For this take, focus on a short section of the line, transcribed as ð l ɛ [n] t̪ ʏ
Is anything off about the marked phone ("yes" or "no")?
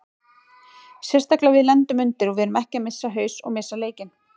no